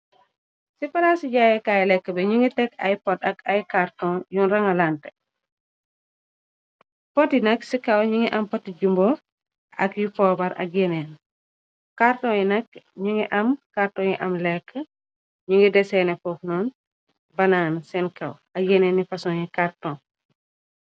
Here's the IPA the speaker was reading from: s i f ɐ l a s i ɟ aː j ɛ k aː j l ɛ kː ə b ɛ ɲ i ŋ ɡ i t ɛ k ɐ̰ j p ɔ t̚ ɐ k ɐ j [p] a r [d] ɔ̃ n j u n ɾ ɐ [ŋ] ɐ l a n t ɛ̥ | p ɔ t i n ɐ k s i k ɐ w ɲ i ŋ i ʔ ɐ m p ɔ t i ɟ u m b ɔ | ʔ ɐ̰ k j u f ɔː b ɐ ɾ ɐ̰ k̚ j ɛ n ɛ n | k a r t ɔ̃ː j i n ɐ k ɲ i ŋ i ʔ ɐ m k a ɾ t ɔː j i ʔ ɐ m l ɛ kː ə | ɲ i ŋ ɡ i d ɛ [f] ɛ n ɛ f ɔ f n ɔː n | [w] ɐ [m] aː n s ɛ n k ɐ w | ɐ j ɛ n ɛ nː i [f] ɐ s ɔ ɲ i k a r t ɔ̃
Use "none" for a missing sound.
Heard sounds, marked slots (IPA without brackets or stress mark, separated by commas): k, t, ŋ, s, b, n, f